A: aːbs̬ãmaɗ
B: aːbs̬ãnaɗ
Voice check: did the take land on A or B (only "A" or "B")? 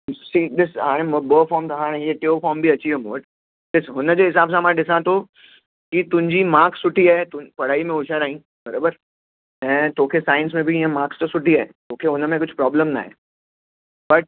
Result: A